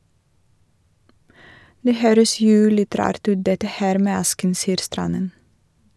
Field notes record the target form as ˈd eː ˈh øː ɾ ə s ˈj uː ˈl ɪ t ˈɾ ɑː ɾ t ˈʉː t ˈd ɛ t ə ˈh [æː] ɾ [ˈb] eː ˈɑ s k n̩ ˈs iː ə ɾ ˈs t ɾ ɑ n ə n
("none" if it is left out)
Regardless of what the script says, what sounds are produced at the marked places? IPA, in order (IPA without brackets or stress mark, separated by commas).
æː, m